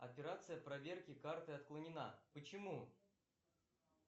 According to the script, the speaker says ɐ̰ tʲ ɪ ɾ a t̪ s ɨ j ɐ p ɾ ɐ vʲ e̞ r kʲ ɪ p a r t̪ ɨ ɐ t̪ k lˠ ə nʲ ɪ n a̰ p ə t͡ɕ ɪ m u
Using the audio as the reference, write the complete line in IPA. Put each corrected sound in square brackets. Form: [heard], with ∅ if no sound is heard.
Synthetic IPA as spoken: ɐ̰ [pʲ] ɪ ɾ a t̪ s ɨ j [ə] p ɾ ɐ vʲ e̞ r kʲ ɪ [k] a r t̪ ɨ ɐ t̪ k lˠ ə nʲ ɪ n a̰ p ə t͡ɕ ɪ m u